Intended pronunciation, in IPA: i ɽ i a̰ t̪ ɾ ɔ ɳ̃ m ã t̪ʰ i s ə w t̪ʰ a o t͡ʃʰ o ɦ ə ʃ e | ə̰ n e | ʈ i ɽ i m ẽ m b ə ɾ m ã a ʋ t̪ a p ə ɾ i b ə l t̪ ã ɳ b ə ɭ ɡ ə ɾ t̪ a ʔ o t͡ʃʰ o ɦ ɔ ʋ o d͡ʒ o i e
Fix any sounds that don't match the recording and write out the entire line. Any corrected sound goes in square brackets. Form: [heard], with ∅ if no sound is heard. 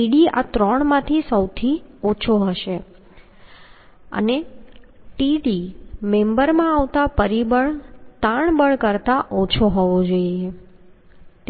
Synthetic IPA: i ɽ i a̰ t̪ ɾ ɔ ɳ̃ m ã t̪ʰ i s ə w t̪ʰ [i] o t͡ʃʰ o ɦ ə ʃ e | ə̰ n e | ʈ i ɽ i m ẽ m b ə ɾ m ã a ʋ t̪ a p ə ɾ i b ə [ɭ] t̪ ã ɳ b ə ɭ [k] ə ɾ t̪ a ʔ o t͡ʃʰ o ɦ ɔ ʋ o d͡ʒ o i e